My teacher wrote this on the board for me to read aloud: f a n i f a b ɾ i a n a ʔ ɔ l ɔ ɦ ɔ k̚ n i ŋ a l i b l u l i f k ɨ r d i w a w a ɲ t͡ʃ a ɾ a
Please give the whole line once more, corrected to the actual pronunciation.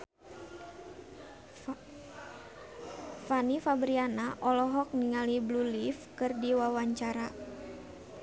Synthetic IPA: f a n i f a b ɾ i a n a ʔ ɔ l ɔ ɦ ɔ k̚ n i ŋ a l i b l u l i f k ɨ r d i w a w a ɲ t͡ʃ a ɾ a